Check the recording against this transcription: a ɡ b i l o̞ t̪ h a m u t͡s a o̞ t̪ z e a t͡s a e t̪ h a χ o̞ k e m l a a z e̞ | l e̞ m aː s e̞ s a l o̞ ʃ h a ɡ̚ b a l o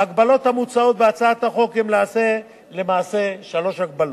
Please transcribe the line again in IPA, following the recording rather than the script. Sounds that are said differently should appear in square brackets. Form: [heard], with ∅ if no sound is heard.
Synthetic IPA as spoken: a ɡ b [a] l o̞ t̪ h a m u t͡s a o̞ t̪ [v] e a t͡s a [a] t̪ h a χ o̞ k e m l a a [s] e̞ | l e̞ m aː s e̞ [ʃ] a l o̞ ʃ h a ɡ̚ b a l o